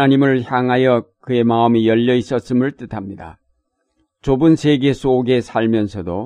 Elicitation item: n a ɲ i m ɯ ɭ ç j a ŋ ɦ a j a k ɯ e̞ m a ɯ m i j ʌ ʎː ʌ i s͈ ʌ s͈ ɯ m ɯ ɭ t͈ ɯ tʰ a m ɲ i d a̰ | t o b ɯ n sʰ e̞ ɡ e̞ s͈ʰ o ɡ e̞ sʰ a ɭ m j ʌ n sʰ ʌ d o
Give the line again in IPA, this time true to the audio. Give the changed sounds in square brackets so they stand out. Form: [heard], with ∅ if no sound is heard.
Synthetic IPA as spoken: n a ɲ i m ɯ ɭ ç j a ŋ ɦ a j [ʌ] k ɯ e̞ m a ɯ m i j ʌ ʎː ʌ i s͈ ʌ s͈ ɯ m ɯ ɭ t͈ ɯ tʰ a m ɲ i d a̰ | [t͡ɕ] o b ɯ n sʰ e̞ ɡ e̞ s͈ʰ o ɡ e̞ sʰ a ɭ m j ʌ n sʰ ʌ d o